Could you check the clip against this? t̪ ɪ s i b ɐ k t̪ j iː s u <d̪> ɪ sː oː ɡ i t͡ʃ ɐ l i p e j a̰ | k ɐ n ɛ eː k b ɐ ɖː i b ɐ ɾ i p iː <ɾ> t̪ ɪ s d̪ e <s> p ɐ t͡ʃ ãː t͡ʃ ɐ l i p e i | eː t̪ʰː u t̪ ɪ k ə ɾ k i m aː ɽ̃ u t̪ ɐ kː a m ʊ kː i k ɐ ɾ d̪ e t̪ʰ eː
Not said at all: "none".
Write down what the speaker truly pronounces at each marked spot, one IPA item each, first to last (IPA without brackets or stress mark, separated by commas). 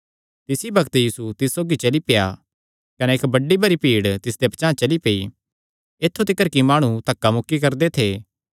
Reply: t̪, ɽ, none